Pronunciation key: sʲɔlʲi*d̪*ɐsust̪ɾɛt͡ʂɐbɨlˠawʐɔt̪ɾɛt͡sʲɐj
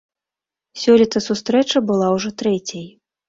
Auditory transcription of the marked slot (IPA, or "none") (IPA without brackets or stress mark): t̪